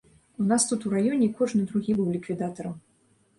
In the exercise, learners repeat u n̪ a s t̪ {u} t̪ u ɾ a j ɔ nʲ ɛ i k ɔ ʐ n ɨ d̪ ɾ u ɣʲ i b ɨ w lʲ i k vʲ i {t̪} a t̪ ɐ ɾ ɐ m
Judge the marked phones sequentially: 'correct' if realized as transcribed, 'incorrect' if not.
correct, incorrect: d̪

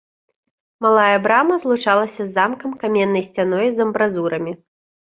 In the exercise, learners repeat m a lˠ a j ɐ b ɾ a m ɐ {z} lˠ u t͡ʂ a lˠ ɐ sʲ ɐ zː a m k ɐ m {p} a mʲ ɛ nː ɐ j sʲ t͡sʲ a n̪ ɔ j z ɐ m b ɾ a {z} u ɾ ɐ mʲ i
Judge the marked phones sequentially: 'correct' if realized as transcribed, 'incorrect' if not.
correct, incorrect: k, correct

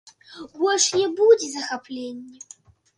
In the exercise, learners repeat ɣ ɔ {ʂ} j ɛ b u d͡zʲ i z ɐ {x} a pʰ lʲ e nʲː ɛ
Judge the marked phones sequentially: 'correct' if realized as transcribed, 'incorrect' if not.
correct, correct

